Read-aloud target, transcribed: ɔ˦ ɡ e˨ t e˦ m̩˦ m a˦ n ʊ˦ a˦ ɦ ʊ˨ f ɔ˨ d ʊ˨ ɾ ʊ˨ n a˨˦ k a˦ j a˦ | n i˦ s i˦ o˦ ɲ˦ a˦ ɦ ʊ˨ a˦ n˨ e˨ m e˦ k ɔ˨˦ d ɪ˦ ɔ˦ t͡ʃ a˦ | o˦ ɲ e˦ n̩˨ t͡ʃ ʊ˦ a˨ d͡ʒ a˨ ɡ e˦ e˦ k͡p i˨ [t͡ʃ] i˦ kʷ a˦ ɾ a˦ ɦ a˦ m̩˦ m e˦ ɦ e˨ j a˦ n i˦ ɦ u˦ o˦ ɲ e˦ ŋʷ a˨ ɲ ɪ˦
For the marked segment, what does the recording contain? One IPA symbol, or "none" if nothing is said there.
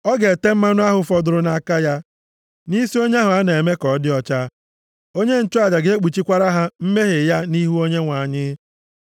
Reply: t͡ʃ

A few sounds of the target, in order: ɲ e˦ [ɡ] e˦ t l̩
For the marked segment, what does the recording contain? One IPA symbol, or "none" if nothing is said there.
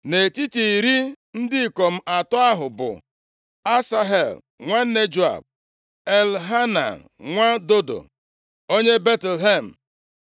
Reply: b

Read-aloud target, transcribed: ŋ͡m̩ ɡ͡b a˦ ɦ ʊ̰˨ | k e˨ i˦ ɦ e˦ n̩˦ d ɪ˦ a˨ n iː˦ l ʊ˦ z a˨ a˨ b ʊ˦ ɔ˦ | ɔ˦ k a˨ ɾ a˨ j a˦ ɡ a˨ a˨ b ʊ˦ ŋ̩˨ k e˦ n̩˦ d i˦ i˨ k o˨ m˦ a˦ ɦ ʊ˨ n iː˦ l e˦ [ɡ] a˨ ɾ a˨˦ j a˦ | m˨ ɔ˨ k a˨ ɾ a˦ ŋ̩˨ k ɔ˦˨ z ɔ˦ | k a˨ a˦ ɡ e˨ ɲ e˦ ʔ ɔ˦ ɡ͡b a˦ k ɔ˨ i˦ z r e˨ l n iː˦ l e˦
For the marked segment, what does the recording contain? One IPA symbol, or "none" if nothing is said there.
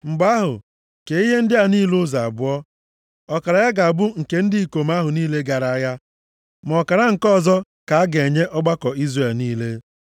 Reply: ɡ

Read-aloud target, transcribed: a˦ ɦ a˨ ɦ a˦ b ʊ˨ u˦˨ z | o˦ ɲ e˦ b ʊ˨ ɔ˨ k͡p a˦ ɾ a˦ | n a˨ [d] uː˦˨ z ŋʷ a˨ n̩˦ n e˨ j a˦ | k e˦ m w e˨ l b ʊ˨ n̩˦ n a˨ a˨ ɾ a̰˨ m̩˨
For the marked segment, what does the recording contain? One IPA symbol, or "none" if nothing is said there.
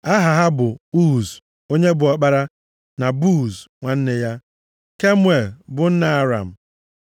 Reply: b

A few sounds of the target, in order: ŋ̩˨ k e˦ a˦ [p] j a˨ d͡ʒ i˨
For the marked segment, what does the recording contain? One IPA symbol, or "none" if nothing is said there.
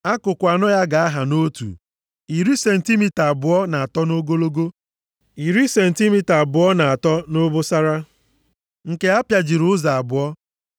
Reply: p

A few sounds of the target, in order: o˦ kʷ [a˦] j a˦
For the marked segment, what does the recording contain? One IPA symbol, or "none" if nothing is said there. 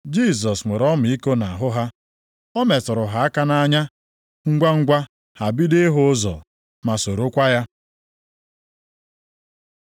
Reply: a˦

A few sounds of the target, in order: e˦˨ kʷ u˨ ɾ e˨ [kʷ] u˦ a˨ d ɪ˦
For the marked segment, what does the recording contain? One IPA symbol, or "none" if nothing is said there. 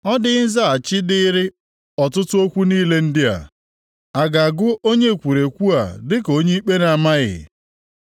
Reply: kʷ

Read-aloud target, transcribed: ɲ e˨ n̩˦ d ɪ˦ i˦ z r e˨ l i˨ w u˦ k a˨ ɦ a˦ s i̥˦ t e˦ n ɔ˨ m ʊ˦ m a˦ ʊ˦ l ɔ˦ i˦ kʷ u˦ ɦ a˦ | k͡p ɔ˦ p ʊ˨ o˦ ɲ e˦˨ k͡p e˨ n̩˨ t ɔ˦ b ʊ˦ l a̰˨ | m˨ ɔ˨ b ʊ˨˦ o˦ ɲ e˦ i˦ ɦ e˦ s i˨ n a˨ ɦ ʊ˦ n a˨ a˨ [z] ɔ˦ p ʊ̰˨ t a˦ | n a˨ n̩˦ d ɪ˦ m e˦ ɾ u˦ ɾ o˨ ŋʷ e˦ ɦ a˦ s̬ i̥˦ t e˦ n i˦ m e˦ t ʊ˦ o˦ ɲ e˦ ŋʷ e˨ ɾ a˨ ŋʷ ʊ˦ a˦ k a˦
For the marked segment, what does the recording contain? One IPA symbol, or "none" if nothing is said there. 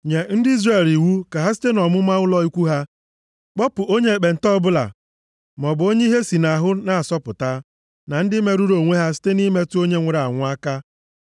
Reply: s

